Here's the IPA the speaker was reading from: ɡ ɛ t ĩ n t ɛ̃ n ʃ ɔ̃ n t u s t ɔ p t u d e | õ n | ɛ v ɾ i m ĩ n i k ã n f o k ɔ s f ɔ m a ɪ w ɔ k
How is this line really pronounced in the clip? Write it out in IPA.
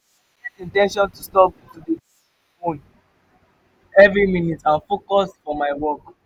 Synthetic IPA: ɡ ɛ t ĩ n t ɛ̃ n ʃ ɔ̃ n t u s t ɔ p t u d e | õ n | ɛ v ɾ i m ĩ n i t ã n f o k ɔ s f ɔ m a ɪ w ɔ k